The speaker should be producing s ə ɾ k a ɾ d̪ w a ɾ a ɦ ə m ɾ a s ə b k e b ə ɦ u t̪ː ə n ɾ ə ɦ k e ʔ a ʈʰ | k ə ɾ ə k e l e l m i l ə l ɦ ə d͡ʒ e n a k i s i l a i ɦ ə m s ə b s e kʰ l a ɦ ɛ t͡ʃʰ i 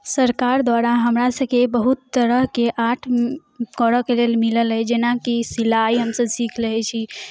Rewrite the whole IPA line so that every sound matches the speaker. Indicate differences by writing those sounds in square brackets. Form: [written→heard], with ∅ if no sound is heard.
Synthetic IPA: s ə ɾ k a ɾ d̪ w a ɾ a ɦ ə m ɾ a s ə b k e b ə ɦ u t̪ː ə [n→∅] ɾ ə ɦ k e ʔ a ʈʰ | k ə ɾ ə k e l e l m i l ə l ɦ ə d͡ʒ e n a k i s i l a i ɦ ə m s ə b s [e→i] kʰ l [a→ə] ɦ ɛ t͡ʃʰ i